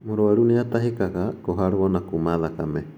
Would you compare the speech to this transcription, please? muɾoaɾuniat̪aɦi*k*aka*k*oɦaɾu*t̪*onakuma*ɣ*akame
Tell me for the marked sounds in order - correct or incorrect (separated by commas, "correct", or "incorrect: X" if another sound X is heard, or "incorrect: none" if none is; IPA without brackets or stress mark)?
correct, correct, incorrect: none, incorrect: ð